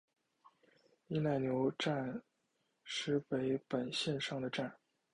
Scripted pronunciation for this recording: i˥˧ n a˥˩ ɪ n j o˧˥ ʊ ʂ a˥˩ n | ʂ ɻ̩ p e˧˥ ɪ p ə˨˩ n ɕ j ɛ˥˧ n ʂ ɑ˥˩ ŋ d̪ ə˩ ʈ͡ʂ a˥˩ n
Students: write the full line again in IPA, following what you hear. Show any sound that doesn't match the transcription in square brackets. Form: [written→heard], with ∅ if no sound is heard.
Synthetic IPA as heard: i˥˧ n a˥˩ ɪ n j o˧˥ ʊ [ʂ→ʈ͡ʂ] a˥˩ n | ʂ ɻ̩ p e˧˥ ɪ p ə˨˩ n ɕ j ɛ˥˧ n ʂ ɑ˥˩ ŋ d̪ ə˩ ʈ͡ʂ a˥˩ n